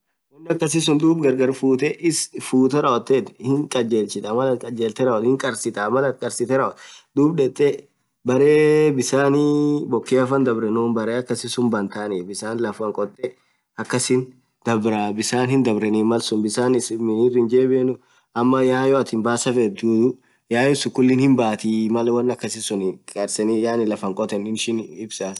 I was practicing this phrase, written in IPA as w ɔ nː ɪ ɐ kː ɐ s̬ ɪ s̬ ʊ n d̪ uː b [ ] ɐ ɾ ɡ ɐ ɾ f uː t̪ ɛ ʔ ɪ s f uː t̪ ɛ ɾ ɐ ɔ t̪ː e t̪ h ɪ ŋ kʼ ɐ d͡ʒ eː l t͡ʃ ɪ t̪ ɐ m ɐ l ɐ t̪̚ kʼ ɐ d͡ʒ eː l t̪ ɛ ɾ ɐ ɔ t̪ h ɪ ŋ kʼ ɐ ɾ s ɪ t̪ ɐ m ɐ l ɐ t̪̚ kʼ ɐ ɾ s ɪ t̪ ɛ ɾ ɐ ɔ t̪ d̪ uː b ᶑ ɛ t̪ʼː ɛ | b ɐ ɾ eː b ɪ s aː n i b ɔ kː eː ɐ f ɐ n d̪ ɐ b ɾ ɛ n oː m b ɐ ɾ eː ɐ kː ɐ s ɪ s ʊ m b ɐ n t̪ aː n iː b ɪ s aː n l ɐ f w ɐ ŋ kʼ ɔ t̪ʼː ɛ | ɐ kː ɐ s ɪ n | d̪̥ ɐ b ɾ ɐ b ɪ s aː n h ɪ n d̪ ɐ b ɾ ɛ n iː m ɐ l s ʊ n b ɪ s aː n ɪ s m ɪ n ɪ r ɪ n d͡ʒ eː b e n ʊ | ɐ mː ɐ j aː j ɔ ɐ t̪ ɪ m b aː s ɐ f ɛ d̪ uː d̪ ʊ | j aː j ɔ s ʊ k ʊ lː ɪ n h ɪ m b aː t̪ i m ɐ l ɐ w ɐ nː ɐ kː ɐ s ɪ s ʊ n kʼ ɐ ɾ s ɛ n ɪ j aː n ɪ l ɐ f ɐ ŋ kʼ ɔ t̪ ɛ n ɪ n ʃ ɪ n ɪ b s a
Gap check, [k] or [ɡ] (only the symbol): ɡ